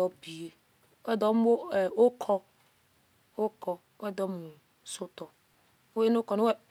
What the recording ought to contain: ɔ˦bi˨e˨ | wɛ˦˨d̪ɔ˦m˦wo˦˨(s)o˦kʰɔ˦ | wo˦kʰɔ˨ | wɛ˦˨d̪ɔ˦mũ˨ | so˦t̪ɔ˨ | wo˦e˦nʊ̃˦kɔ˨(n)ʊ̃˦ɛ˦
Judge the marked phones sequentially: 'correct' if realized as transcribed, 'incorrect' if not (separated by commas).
incorrect, correct